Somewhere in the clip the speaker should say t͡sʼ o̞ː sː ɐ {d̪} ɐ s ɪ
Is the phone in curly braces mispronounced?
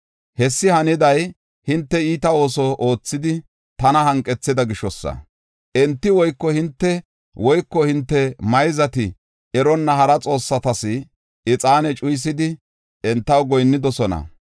yes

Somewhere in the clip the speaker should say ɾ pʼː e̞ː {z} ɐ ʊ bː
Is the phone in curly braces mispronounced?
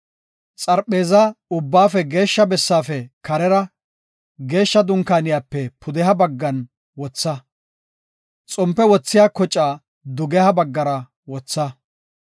no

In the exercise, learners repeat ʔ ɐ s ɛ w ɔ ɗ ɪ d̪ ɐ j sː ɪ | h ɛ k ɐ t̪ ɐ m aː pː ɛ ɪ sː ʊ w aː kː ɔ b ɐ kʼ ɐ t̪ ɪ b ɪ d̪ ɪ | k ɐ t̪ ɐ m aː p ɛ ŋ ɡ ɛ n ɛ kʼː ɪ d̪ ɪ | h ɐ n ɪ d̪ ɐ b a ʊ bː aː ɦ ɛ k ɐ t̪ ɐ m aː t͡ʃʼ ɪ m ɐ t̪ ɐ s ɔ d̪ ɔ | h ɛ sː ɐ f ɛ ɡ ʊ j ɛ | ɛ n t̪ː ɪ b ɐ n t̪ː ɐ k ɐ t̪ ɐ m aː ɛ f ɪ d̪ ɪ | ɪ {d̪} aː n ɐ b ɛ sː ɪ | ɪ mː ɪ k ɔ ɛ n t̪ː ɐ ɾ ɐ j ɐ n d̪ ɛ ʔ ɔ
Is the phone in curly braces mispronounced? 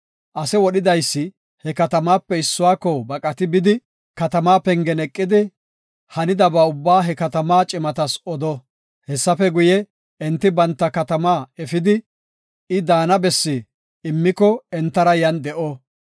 no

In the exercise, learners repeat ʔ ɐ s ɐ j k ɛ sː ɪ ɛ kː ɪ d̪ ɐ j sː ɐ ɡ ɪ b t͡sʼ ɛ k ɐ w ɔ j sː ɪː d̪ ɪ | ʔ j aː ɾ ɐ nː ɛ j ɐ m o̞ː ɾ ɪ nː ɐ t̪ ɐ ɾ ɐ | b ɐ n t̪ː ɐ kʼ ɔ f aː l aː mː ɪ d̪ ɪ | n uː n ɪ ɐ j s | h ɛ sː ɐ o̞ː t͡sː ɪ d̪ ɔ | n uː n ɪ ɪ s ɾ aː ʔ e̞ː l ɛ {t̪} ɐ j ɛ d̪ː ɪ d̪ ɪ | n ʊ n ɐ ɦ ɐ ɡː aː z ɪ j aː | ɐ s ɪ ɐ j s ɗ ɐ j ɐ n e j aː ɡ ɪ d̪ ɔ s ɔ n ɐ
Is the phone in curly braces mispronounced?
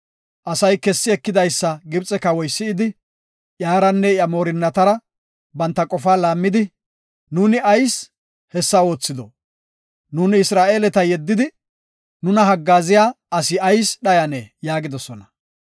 no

